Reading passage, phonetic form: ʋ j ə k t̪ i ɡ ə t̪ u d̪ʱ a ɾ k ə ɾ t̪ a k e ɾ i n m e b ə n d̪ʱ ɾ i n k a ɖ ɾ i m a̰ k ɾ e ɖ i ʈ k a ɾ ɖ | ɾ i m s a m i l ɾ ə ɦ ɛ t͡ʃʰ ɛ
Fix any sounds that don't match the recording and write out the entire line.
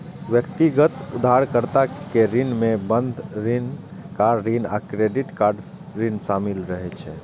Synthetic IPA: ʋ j ə k t̪ i ɡ ə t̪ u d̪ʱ a ɾ k ə ɾ t̪ a k e ɾ i n m e b ə n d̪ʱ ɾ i n k a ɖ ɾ i n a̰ k ɾ e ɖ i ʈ k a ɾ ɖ | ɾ i n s a m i l ɾ ə ɦ ɛ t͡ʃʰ ɛ

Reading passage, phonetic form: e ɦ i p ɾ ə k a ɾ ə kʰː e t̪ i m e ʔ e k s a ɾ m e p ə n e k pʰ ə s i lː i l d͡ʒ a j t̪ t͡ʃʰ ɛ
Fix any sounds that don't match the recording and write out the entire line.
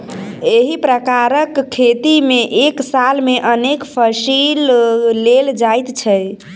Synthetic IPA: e ɦ i p ɾ ə k a ɾ ə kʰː e t̪ i m e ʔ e k s a l m e ʔ ə n e k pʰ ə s i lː e l d͡ʒ a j t̪ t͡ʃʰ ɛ

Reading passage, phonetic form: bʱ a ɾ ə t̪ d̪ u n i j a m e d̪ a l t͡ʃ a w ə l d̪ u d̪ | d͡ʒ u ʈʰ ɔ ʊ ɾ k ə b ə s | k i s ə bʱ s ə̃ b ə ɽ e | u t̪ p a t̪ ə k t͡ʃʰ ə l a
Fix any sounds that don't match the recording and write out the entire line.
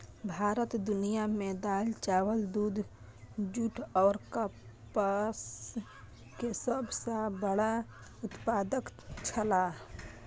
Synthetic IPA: bʱ a ɾ ə t̪ d̪ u n i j a m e d̪ a l t͡ʃ a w ə l d̪ u d̪ | d͡ʒ u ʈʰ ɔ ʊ ɾ k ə p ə s | k e s ə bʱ s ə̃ b ə ɽ a | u t̪ p a d̪ ə k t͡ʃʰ ə l a

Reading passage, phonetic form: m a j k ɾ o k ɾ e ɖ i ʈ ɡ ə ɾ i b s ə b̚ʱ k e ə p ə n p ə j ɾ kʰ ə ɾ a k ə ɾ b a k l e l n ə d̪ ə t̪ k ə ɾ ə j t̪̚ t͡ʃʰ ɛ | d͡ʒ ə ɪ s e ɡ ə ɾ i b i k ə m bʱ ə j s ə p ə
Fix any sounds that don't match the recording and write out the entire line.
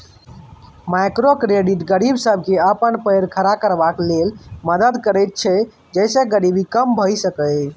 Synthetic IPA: m a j k ɾ o k ɾ e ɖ i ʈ ɡ ə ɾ i b s ə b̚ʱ k e ə p ə n p ə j ɾ kʰ ə ɾ a k ə ɾ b a k l e l m ə d̪ ə d̪ k ə ɾ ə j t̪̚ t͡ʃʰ ɛ | d͡ʒ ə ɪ s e ɡ ə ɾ i b i k ə m bʱ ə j s ə k ə

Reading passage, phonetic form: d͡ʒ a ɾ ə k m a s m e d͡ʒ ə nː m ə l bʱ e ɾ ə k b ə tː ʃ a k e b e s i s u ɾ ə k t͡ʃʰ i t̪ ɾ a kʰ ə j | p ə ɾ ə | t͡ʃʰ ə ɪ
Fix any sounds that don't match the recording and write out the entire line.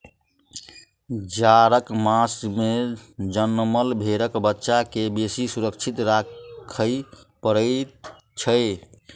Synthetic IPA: d͡ʒ a ɾ ə k m a s m e d͡ʒ ə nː m ə l bʱ e ɾ ə k b ə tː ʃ a k e b e s i s u ɾ ə k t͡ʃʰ i t̪ ɾ a kʰ ə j | p ə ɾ ə | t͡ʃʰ ə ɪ

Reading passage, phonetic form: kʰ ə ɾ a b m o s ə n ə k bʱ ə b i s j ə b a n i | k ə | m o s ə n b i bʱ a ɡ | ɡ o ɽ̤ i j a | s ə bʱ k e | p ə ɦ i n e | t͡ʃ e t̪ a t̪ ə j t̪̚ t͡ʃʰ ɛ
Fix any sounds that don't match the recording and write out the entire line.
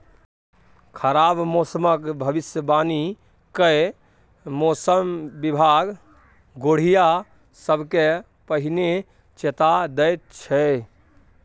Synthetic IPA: kʰ ə ɾ a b m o s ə m ə k bʱ ə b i s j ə b a n i | k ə | m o s ə m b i bʱ a ɡ | ɡ o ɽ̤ i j a | s ə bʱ k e | p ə ɦ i n e | t͡ʃ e t̪ a d̪ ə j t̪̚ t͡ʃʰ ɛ

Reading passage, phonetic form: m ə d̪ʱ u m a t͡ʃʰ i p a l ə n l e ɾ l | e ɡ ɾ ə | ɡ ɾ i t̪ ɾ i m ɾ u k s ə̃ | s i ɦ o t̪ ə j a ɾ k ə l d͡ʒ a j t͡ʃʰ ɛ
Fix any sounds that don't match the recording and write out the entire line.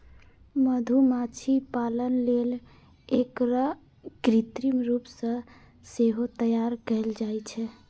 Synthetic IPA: m ə d̪ʱ u m a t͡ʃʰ i p a l ə n l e l | e k ɾ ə | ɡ ɾ i t̪ ɾ i m ɾ u p s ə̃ | s e ɦ o t̪ ə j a ɾ k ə l d͡ʒ a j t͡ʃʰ ɛ

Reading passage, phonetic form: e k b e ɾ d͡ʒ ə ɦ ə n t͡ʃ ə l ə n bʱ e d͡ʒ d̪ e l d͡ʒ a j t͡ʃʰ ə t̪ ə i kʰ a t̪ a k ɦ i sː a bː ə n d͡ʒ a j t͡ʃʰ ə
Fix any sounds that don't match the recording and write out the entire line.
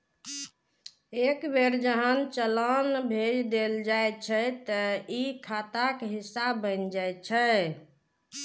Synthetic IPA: e k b e ɾ d͡ʒ ə ɦ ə n t͡ʃ ə l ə n bʱ e d͡ʒ d̪ e l d͡ʒ a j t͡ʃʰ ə t̪ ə i kʰ a t̪ a k ɦ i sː a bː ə n d͡ʒ a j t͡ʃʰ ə

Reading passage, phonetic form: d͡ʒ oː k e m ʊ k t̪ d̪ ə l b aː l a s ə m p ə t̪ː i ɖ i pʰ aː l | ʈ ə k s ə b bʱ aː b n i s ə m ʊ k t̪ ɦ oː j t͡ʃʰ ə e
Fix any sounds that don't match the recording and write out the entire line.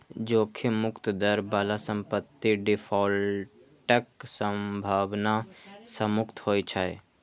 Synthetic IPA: d͡ʒ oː kʰ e m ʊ k t̪ d̪ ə ɾ b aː l a s ə m p ə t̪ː i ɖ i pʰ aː l | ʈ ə k s ə m bʱ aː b n a s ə m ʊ k t̪ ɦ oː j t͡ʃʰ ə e

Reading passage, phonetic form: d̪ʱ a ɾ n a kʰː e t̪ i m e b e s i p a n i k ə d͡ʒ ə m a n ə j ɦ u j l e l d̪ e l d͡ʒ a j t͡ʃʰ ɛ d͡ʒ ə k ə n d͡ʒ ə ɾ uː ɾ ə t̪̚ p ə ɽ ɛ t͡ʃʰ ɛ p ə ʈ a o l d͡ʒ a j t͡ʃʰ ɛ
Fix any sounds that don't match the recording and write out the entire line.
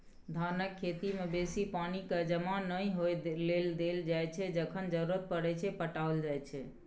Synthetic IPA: d̪ʱ a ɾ n ə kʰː e t̪ i m e b e s i p a n i k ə d͡ʒ ə m a n ə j ɦ o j l e l d̪ e l d͡ʒ a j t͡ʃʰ ɛ d͡ʒ ə kʰ ə n d͡ʒ ə ɾ u ɾ ə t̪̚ p ə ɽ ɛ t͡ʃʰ ɛ p ə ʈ a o l d͡ʒ a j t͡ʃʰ ɛ

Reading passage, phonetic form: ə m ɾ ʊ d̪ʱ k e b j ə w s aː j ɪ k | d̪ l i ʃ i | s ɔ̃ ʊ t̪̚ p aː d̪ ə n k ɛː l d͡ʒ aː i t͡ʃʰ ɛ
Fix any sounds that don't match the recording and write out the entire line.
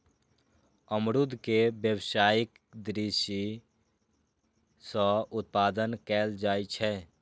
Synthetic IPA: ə m ɾ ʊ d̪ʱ k e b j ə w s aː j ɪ k | d̪ ɾ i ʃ i | s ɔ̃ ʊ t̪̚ p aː d̪ ə n k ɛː l d͡ʒ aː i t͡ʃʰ ɛ

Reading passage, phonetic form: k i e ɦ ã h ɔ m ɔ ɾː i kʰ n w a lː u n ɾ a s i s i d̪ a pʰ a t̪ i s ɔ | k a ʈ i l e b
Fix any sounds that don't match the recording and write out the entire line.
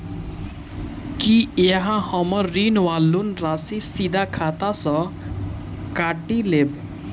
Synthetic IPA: k i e ɦ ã h ɔ m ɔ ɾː i n w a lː u n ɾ a s i s i d̪ a kʰ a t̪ a s ɔ | k a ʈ i l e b

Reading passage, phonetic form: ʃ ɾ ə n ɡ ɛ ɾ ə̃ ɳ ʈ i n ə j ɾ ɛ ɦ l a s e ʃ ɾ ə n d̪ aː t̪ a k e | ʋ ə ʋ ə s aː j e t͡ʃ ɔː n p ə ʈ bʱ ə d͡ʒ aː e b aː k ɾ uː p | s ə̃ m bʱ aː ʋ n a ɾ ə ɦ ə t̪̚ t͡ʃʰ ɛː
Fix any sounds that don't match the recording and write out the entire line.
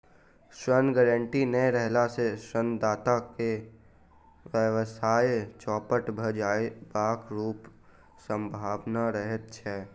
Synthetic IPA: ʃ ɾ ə n ɡ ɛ ɾ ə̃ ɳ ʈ i n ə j ɾ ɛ ɦ l a s e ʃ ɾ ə n d̪ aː t̪ a k e | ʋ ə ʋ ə s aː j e t͡ʃ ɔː p ə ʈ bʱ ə d͡ʒ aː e b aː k ɾ uː p | s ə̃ m bʱ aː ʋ n a ɾ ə ɦ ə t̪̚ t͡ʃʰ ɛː

